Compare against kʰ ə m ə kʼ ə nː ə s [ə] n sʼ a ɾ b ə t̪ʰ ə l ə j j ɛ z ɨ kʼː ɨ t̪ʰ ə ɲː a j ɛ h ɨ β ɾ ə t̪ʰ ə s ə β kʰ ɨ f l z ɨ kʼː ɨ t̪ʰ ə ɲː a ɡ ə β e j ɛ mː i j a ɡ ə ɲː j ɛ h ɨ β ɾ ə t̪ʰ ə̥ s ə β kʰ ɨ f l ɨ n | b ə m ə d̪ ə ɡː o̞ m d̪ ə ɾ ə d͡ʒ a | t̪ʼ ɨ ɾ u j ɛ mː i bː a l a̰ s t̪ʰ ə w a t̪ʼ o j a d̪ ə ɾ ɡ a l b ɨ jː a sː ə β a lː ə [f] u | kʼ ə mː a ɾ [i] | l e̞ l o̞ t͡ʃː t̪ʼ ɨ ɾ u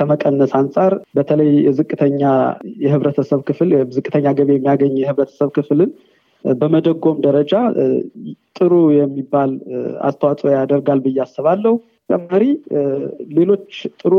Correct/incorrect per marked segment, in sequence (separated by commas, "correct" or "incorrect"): incorrect, incorrect, correct